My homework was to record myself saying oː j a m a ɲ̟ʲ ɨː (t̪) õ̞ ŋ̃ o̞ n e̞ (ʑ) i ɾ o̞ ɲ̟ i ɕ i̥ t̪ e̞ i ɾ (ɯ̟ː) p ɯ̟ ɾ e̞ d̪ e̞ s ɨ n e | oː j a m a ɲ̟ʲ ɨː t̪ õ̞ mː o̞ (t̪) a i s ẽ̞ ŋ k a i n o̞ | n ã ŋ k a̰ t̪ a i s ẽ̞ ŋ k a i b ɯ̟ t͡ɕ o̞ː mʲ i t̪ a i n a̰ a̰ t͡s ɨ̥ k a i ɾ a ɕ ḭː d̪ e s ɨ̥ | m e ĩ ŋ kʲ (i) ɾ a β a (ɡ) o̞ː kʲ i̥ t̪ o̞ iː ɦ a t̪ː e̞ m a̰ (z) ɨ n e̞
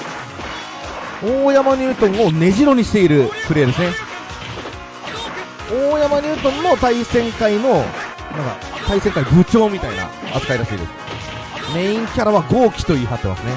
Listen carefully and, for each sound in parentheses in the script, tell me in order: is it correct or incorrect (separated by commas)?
correct, correct, incorrect, correct, incorrect, correct, incorrect